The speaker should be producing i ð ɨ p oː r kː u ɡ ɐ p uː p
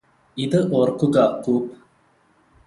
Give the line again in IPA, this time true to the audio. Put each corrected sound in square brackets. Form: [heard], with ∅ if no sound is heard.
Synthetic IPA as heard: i ð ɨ [ʔ] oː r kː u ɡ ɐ [k] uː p